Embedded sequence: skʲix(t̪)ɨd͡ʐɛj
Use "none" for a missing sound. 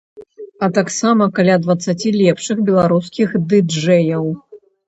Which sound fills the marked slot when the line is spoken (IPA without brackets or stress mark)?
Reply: d̪